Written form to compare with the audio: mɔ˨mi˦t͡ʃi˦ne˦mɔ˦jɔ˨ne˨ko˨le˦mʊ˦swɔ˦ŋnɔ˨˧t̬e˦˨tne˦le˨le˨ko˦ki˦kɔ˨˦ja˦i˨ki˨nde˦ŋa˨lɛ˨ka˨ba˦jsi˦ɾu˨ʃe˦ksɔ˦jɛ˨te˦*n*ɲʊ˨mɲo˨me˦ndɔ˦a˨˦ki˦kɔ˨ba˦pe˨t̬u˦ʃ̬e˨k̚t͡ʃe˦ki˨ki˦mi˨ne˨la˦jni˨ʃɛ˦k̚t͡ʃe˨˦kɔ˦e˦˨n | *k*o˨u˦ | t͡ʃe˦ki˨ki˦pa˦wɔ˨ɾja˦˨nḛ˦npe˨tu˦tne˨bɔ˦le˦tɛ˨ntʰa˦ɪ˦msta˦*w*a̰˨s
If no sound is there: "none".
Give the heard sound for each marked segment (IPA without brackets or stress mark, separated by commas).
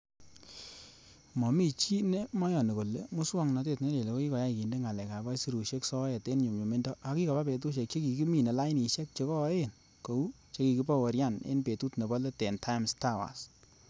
n, k, w